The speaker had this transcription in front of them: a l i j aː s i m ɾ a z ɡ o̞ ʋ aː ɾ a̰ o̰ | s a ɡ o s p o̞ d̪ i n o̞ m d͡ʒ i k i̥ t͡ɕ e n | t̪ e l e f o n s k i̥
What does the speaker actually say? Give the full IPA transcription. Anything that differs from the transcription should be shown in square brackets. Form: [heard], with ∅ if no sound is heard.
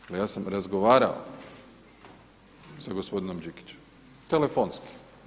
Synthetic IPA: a l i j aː s [a] m ɾ a z ɡ o̞ ʋ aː ɾ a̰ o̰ | s a ɡ o s p o̞ d̪ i n o̞ m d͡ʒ i k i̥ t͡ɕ e [m] | t̪ e l e f o n s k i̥